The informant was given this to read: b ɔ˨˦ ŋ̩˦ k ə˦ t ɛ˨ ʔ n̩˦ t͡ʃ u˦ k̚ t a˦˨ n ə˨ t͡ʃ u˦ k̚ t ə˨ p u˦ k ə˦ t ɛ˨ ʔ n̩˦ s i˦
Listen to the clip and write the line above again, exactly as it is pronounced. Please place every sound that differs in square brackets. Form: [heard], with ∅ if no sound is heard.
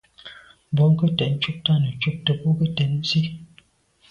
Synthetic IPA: b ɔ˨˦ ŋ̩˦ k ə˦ t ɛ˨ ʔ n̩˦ t͡ʃ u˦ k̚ t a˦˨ n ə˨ t͡ʃ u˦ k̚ t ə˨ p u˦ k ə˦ t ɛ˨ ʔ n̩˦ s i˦